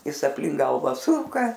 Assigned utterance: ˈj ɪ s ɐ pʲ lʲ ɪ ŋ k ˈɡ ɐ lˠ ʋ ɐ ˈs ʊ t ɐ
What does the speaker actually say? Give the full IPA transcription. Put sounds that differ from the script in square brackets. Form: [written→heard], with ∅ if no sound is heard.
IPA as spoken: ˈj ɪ s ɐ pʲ lʲ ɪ ŋ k ˈɡ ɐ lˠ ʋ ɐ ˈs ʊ [t→k] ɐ